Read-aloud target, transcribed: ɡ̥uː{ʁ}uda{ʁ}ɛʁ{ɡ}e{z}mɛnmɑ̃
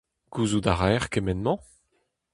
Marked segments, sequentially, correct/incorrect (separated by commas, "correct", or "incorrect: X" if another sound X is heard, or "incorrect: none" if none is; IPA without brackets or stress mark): incorrect: z, correct, incorrect: k, incorrect: none